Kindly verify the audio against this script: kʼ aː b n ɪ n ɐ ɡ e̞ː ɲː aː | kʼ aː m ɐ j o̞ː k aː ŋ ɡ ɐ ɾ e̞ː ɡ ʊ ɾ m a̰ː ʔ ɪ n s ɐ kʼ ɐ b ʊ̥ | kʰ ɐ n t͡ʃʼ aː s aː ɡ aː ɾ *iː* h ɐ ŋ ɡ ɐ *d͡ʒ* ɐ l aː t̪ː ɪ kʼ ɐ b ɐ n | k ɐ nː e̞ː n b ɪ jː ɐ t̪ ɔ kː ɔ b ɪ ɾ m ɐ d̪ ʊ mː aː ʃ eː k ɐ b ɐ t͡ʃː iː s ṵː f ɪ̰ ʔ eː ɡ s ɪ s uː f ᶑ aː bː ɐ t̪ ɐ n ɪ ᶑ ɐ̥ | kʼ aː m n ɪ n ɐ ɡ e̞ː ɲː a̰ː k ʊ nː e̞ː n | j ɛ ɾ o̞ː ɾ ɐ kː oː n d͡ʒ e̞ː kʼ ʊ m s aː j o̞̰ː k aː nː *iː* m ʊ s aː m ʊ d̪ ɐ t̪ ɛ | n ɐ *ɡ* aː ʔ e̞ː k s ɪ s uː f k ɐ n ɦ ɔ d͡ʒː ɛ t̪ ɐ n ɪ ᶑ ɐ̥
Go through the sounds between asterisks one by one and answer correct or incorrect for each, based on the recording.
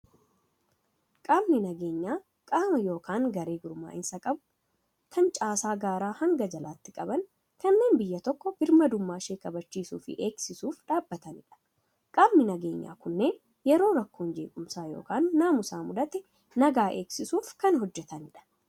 incorrect, correct, incorrect, correct

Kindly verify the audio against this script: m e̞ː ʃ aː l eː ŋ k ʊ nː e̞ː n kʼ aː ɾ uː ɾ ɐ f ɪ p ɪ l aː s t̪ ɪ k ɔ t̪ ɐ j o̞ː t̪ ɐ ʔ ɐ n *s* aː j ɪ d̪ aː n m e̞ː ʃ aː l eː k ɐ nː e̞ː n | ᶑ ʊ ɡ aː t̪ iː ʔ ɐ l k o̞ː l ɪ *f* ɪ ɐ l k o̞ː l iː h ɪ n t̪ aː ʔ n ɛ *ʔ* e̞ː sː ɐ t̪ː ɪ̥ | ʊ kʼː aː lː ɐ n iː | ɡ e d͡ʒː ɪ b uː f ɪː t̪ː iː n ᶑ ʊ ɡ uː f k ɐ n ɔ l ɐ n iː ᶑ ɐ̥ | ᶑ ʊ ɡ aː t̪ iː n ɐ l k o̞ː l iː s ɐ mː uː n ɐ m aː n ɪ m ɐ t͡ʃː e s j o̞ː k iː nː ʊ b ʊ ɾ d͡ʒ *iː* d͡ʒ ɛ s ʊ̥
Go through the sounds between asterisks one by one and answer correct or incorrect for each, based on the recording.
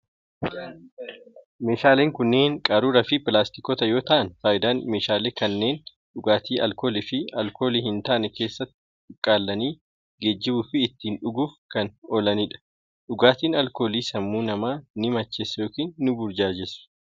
incorrect, correct, incorrect, incorrect

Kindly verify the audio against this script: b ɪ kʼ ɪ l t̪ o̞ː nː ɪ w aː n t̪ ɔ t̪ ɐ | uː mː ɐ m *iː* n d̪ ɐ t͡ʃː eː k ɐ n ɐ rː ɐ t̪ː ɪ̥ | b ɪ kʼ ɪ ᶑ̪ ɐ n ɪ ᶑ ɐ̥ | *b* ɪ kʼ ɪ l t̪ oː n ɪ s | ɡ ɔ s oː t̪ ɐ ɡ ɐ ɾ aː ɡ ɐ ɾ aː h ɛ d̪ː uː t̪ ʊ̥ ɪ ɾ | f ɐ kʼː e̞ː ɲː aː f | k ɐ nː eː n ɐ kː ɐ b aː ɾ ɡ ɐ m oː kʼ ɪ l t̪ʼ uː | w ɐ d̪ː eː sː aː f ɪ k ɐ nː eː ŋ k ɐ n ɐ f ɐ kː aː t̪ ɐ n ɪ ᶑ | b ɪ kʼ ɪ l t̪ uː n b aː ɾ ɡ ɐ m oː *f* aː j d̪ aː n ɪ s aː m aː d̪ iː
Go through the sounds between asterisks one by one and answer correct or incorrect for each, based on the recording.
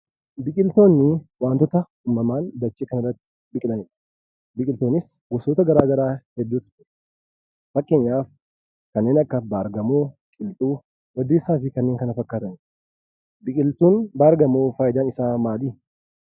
incorrect, correct, correct

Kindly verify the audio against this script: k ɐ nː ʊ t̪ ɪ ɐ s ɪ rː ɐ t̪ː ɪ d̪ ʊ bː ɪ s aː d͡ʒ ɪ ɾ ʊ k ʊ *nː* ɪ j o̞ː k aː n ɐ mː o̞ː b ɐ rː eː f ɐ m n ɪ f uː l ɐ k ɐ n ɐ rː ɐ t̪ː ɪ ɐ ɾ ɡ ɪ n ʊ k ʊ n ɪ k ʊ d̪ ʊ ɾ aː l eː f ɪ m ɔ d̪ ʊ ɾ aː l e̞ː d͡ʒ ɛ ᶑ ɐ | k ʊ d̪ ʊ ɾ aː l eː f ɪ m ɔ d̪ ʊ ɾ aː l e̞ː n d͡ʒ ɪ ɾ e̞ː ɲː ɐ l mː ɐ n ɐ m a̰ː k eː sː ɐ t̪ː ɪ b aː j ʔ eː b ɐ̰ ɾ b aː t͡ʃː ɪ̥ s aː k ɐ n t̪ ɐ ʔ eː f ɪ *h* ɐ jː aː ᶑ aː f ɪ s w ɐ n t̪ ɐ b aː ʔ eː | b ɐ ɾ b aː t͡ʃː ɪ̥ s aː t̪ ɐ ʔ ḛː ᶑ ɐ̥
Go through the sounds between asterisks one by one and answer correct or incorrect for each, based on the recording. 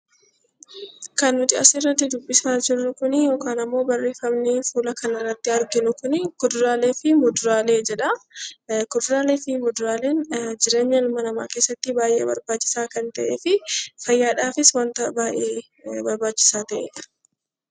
incorrect, incorrect

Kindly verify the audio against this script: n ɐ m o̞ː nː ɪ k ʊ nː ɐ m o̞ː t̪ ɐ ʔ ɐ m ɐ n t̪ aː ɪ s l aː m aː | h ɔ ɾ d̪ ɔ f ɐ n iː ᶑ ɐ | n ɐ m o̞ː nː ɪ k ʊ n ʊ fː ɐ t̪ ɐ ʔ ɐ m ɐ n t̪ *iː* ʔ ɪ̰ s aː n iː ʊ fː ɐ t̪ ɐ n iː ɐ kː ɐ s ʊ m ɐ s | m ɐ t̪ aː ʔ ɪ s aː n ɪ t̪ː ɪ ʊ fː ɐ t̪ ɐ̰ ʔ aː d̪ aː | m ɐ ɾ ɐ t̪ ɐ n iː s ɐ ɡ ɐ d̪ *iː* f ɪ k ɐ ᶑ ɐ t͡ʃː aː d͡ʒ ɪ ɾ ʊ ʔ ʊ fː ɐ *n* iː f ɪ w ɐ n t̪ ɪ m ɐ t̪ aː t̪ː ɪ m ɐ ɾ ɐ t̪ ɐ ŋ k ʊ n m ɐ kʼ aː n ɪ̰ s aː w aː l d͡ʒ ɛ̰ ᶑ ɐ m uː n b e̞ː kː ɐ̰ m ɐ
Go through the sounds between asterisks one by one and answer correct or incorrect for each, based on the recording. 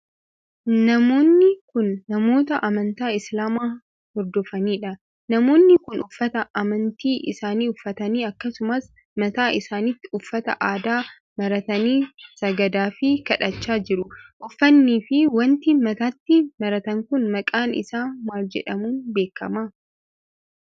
correct, incorrect, incorrect

